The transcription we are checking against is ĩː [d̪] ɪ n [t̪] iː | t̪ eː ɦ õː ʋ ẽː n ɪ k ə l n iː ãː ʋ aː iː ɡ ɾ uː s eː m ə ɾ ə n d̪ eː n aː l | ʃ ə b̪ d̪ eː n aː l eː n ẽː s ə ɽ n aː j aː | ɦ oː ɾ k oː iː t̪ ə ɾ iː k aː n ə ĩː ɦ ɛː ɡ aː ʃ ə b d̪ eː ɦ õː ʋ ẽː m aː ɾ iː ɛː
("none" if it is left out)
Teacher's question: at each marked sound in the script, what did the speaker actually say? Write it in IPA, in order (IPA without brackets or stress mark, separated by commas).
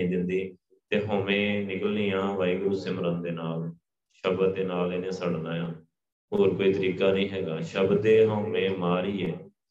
d̪, d̪